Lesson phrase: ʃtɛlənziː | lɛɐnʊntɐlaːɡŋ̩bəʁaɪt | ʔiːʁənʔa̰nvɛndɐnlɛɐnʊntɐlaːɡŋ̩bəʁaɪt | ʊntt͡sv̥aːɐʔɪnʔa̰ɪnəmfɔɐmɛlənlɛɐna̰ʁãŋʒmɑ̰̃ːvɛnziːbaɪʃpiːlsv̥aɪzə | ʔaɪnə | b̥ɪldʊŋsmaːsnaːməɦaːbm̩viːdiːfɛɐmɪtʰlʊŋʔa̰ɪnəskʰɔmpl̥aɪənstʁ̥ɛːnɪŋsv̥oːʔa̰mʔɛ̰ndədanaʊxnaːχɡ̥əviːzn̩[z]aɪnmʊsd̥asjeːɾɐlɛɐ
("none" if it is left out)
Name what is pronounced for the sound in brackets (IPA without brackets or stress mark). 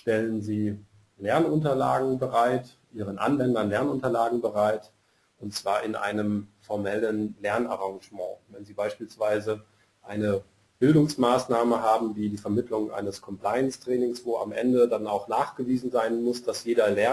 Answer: z